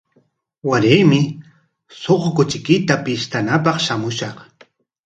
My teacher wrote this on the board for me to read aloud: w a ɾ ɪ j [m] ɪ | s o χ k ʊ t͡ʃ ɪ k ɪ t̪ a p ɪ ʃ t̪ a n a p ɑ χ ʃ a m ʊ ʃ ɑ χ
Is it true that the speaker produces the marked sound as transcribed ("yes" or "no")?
yes